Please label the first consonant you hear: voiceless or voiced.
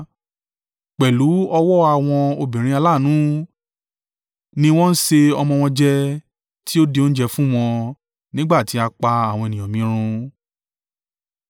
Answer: voiceless